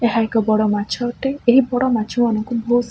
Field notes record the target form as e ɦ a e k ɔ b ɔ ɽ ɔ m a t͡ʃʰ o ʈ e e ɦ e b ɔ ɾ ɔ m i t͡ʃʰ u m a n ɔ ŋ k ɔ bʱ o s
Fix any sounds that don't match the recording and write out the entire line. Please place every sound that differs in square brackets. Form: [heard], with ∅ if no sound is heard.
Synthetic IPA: e ɦ a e k ɔ b ɔ ɽ ɔ m a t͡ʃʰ [ɔ] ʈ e e ɦ [i] b ɔ [ɽ] ɔ m [a] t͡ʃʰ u m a n ɔ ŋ k [u] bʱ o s